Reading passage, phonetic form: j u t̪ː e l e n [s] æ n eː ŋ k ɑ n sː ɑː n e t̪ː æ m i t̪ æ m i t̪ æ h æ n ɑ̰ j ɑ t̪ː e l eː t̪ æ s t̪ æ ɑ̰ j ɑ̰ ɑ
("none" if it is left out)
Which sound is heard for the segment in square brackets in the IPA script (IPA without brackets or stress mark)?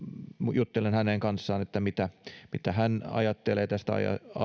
h